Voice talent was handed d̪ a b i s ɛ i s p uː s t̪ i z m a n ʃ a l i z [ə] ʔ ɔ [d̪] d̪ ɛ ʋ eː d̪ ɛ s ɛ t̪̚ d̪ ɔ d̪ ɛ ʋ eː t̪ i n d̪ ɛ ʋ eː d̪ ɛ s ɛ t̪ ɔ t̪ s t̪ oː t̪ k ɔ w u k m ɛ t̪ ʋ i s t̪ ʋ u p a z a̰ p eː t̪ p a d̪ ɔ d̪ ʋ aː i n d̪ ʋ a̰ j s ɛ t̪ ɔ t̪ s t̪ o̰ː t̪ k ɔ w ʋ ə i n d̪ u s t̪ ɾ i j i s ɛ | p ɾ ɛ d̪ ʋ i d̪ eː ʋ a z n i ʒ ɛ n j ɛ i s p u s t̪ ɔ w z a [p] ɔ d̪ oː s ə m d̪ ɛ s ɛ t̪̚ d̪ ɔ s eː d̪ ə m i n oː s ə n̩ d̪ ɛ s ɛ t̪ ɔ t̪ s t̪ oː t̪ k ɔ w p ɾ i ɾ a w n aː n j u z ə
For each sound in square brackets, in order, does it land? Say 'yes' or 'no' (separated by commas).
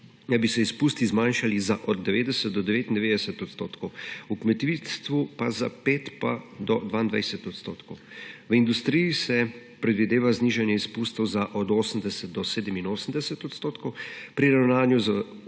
no, yes, no